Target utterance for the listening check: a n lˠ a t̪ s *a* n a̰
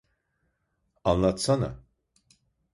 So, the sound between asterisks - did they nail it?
yes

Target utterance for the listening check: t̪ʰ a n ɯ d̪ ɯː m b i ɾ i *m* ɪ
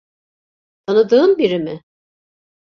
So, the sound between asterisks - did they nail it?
yes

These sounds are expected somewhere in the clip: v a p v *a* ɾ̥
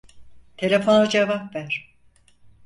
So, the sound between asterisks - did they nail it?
no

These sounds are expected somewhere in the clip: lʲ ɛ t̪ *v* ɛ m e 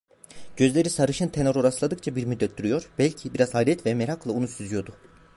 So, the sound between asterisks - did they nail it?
yes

